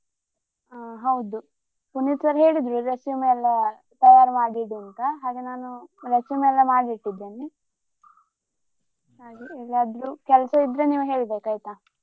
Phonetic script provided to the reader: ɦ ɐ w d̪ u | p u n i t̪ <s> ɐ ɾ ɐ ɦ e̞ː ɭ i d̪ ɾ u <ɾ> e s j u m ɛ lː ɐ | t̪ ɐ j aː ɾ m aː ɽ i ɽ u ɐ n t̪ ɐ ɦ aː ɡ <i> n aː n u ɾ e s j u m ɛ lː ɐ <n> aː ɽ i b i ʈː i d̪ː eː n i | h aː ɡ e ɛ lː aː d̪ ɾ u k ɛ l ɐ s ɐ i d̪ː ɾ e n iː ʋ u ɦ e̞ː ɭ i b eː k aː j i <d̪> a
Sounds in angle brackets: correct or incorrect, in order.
correct, correct, incorrect, incorrect, incorrect

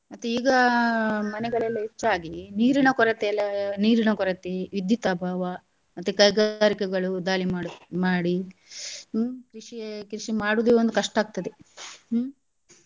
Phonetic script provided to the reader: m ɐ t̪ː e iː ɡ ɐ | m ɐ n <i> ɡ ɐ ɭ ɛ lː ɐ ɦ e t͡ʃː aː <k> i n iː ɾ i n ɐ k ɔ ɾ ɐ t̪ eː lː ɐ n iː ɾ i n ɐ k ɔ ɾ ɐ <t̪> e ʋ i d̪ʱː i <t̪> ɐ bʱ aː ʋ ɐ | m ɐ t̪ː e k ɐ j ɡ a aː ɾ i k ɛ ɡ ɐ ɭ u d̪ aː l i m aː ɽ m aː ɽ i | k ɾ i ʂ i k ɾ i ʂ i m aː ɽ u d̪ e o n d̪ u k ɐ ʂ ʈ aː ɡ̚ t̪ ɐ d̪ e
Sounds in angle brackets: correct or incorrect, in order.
incorrect, incorrect, correct, correct

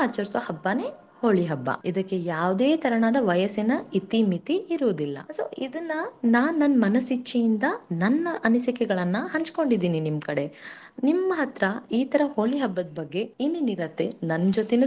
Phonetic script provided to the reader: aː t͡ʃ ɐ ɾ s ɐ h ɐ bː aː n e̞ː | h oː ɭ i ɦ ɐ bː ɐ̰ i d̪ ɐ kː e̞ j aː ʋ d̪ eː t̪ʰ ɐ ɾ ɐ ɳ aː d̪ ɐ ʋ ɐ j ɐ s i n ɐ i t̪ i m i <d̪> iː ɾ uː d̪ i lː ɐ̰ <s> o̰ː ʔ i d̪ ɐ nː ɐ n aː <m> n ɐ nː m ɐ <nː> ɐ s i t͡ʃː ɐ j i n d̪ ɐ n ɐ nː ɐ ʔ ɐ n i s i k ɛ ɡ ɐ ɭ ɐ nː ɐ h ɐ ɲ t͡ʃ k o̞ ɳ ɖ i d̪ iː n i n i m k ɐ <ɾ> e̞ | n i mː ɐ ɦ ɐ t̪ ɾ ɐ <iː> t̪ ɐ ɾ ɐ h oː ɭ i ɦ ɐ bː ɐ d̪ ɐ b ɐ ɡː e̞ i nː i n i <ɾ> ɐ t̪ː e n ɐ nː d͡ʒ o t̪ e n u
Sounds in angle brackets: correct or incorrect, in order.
incorrect, correct, incorrect, incorrect, incorrect, correct, correct

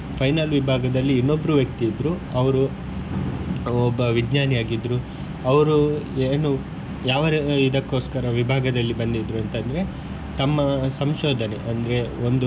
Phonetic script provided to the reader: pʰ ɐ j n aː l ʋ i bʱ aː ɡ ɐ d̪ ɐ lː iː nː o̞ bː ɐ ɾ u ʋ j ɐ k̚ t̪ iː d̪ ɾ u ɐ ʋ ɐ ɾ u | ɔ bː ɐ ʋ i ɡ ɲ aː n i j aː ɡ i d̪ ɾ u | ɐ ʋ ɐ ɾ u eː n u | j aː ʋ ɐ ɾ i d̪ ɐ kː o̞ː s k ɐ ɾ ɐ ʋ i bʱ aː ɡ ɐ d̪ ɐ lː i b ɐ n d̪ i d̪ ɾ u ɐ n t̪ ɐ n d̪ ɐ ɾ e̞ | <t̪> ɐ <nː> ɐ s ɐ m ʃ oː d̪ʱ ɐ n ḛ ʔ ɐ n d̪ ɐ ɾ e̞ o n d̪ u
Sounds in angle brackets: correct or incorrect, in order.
correct, incorrect

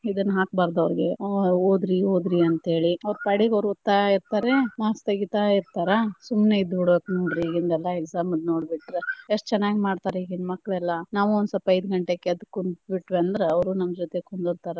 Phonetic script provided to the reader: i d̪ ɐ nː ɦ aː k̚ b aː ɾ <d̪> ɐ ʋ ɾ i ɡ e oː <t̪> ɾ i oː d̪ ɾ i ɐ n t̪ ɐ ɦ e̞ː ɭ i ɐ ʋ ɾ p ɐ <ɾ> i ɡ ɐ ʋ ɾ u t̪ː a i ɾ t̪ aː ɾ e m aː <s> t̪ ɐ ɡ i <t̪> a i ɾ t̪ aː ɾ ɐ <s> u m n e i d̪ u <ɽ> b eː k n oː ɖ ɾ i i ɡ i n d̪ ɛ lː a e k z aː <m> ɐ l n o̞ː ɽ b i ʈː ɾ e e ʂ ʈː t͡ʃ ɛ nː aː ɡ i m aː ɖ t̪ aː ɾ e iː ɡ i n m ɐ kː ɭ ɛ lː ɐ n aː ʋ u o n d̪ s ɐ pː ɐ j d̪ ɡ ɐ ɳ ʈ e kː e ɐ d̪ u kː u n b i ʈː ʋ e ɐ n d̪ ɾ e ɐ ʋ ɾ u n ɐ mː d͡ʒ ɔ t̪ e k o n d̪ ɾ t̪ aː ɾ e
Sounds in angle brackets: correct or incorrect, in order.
correct, incorrect, incorrect, correct, correct, correct, correct, correct

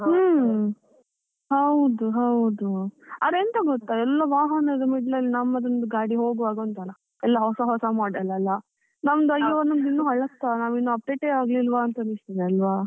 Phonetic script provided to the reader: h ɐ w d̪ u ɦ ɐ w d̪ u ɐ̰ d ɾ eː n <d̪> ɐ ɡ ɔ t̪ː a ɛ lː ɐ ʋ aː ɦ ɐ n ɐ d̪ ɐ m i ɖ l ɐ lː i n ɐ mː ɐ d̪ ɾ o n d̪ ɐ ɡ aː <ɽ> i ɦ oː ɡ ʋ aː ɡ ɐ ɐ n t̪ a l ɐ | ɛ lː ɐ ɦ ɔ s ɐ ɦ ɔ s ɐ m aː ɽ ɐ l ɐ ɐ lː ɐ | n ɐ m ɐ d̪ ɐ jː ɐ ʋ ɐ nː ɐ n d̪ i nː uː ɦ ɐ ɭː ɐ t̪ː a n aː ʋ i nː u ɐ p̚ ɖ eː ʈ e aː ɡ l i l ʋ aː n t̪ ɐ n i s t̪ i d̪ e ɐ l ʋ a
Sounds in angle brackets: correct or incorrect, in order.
incorrect, correct

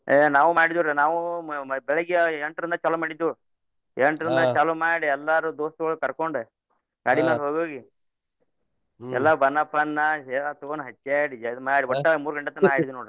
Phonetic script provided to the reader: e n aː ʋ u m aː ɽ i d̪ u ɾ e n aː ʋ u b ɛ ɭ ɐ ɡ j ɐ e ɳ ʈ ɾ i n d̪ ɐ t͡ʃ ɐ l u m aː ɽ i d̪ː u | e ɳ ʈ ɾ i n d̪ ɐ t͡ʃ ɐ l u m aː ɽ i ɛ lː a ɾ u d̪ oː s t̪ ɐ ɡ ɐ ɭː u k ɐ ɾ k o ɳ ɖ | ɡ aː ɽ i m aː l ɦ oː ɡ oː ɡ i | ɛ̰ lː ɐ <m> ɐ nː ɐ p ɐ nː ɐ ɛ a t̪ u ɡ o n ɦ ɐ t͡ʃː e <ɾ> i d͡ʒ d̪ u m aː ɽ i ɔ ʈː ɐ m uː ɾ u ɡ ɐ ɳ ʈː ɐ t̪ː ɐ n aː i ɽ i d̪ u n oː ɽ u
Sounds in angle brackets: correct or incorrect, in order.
incorrect, incorrect

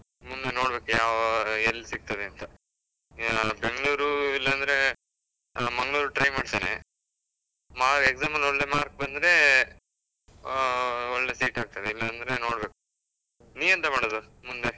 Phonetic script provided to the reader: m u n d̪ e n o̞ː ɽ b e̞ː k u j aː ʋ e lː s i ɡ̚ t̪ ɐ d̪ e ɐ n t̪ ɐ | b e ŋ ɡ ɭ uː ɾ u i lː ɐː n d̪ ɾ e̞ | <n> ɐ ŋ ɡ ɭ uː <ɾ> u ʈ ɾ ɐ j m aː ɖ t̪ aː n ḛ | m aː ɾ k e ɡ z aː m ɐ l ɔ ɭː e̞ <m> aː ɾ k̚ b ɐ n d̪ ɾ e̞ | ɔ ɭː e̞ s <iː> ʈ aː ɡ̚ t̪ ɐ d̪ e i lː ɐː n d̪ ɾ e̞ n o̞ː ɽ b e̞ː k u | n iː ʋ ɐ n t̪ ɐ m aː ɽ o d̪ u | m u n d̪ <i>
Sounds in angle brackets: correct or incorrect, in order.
incorrect, correct, correct, correct, incorrect

